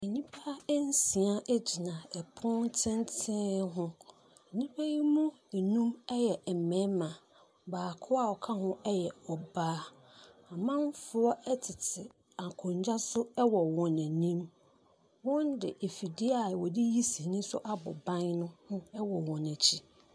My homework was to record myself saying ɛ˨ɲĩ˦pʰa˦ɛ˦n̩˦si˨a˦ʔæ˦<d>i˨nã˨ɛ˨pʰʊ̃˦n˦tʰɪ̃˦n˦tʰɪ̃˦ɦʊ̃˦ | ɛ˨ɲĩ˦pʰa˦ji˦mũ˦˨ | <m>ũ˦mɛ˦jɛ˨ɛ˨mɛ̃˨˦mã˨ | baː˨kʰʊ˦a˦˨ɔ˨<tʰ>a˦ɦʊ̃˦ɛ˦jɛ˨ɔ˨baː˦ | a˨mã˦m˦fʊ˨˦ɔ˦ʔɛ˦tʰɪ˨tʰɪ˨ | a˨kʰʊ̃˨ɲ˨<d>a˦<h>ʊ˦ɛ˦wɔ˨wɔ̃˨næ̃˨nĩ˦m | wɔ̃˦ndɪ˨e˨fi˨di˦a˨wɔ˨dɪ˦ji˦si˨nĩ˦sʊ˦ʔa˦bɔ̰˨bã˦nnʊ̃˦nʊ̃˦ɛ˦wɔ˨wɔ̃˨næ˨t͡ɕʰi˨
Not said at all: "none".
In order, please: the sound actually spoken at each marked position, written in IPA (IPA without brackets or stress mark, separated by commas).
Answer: d͡ʑ, n, kʰ, d͡ʑ, s